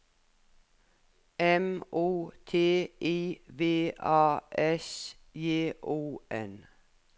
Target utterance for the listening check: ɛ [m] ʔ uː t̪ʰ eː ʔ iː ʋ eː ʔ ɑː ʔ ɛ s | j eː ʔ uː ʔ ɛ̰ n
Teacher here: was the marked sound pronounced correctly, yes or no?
yes